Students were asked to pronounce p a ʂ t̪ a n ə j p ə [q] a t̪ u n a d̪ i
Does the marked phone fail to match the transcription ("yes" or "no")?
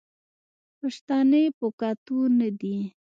yes